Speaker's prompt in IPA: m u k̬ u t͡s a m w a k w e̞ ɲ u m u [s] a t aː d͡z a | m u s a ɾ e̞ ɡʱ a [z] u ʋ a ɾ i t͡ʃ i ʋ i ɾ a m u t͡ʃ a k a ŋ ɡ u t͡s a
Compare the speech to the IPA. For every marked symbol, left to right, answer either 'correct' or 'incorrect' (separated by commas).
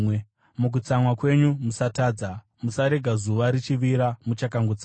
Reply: correct, correct